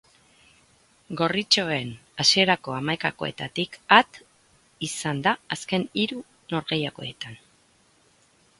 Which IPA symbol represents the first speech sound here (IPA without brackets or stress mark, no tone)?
ɡ